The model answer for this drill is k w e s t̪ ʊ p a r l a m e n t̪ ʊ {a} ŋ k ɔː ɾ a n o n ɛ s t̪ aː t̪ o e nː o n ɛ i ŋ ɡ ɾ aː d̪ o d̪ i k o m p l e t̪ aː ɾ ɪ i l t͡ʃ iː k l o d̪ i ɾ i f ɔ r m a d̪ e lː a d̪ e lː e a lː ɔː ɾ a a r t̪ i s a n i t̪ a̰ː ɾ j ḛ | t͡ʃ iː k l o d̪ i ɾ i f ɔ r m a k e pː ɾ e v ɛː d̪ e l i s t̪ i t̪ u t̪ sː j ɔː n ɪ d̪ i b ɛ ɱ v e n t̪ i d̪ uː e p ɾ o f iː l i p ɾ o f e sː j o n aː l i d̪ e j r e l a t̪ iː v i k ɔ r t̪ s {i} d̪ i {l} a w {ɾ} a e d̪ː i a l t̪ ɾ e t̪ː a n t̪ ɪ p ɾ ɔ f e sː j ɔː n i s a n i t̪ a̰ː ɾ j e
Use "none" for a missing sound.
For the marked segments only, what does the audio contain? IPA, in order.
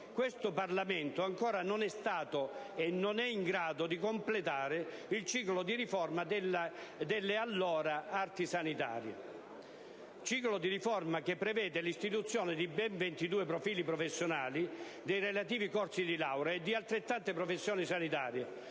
a, i, l, ɾ

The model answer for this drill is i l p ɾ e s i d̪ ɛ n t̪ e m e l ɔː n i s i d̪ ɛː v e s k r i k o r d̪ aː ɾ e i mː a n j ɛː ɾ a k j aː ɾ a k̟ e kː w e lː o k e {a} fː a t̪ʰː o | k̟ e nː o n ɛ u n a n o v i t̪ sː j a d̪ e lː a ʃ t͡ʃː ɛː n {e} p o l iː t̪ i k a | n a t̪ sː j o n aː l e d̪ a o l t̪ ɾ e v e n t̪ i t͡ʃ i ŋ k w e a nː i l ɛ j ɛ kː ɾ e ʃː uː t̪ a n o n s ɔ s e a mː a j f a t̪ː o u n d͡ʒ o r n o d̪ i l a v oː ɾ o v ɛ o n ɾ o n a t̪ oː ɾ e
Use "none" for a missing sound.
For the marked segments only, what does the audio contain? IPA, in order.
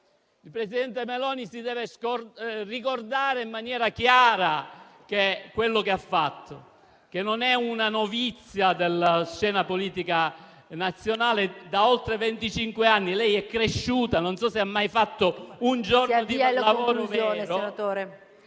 a, a

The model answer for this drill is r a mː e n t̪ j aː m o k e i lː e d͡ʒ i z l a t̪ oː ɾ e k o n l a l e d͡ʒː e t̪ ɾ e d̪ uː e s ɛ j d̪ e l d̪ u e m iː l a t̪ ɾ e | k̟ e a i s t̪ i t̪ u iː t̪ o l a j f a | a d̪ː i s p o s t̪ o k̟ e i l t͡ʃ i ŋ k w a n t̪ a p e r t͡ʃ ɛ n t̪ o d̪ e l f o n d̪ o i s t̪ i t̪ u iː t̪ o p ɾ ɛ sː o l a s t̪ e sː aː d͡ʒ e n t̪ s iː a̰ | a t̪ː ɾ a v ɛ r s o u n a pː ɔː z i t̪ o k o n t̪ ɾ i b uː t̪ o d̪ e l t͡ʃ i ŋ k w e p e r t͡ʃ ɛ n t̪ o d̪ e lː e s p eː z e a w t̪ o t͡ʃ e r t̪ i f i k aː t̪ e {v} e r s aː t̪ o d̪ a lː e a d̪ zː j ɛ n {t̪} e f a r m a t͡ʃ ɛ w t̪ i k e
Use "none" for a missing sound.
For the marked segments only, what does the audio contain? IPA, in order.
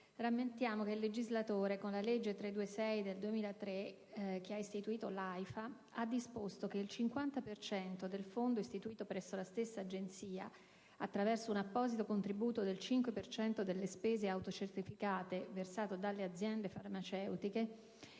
v, d̪

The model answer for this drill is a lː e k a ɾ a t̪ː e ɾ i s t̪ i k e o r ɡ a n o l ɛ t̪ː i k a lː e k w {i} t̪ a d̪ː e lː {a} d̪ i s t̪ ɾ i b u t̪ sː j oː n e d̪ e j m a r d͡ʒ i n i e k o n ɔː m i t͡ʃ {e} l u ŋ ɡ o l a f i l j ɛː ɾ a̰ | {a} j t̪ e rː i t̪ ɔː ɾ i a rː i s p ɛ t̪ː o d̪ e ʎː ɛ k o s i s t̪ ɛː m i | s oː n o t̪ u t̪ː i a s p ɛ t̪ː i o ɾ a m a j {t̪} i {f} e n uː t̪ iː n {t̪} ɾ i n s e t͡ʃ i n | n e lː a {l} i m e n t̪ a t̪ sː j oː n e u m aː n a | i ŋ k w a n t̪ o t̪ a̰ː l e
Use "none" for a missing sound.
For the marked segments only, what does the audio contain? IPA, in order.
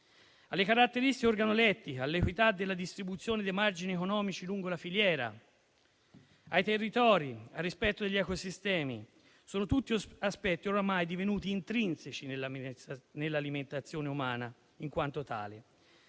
i, a, i, a, d̪, v, t̪, l

